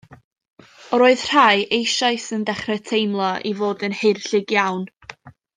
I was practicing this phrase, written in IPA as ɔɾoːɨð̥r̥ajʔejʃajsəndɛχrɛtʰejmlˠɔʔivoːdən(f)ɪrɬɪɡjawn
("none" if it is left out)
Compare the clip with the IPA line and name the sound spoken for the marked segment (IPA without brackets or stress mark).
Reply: h